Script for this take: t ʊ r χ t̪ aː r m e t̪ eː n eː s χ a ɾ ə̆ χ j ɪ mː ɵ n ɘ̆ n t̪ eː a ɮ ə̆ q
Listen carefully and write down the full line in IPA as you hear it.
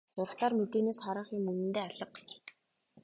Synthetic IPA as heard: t ʊ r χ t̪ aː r m e t̪ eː n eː s χ a ɾ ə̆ χ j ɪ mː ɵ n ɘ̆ n t̪ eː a ɮ ə̆ q